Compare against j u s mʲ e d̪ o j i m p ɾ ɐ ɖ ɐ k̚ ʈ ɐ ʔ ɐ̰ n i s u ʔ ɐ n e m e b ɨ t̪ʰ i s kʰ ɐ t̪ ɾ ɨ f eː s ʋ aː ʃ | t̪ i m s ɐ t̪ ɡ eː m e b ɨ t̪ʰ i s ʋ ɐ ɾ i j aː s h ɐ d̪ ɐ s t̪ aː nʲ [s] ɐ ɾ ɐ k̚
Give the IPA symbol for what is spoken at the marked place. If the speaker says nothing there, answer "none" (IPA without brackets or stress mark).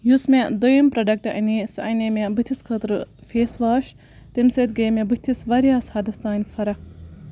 f